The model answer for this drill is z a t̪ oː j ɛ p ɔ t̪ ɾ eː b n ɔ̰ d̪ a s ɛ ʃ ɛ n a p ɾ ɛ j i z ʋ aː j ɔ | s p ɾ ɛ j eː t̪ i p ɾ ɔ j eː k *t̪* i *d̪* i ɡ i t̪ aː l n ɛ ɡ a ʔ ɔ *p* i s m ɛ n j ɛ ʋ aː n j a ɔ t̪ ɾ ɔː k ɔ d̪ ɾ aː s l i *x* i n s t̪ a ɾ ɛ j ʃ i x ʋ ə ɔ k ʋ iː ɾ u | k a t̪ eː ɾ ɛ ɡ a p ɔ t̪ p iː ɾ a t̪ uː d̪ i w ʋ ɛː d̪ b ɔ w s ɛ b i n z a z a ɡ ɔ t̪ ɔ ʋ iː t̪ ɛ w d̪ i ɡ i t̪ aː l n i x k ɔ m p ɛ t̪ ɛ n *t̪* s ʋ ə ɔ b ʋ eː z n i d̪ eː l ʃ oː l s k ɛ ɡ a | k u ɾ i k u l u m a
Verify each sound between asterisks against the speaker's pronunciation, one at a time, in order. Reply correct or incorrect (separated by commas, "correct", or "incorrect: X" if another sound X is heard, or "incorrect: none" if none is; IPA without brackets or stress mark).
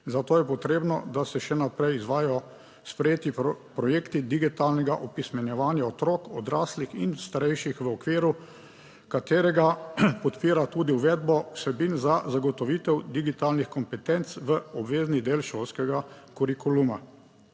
correct, correct, correct, correct, correct